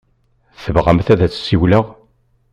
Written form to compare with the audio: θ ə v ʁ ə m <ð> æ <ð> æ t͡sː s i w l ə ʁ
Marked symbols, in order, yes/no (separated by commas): no, yes